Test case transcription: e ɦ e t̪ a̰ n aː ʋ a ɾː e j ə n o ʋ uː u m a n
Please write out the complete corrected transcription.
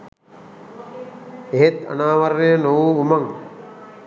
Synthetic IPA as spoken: e ɦ e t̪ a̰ n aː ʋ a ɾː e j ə n o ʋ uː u m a ŋ